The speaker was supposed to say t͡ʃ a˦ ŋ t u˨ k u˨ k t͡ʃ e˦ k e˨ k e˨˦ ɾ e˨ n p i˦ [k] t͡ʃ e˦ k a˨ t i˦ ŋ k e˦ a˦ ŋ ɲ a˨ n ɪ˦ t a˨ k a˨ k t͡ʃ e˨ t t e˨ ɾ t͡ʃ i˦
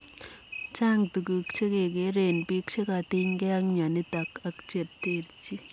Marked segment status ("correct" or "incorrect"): correct